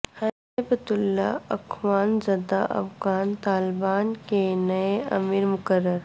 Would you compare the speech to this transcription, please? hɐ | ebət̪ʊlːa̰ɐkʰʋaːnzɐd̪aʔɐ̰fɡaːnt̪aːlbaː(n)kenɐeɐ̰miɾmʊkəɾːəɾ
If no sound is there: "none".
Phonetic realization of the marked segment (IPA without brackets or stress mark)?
n